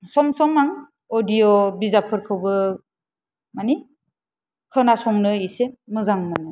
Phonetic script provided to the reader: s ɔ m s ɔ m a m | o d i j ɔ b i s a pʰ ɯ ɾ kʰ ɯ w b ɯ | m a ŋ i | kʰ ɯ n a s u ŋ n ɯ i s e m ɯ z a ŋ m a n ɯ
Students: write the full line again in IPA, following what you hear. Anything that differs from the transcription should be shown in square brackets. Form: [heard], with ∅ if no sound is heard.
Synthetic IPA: s ɔ m s ɔ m a [ŋ] | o d i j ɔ b i [z] a pʰ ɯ ɾ kʰ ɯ w b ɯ | m a [n] i | kʰ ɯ n a s [ɔ] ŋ n ɯ i s e m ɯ z a ŋ m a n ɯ